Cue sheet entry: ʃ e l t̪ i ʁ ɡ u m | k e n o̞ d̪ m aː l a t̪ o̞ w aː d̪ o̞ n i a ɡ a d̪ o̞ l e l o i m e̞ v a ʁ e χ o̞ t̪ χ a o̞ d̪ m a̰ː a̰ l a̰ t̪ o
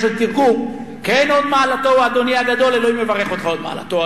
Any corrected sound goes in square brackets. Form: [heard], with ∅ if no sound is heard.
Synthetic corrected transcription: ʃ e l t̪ i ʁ ɡ u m | k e n o̞ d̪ m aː l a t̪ o̞ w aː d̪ o̞ n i a ɡ a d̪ o̞ l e l o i m e̞ v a ʁ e χ o̞ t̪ χ a o̞ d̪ m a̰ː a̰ l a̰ t̪ o